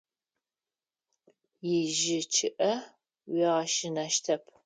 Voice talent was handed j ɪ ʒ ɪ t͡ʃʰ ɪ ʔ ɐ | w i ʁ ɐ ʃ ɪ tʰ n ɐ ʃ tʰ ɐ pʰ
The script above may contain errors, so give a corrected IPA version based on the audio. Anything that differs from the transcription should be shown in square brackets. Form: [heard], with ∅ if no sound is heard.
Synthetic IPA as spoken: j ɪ ʒ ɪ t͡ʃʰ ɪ ʔ ɐ | w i ʁ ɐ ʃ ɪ [∅] n ɐ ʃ tʰ ɐ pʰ